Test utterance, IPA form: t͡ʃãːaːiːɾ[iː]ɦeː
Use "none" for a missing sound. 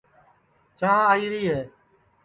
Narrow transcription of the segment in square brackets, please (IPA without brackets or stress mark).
iː